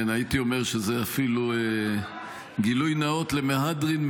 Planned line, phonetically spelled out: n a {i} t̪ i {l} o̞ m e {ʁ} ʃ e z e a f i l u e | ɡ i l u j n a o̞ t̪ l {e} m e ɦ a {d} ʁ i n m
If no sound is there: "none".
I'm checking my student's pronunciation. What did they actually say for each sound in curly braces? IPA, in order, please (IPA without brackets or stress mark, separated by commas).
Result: i, none, ʁ, e, d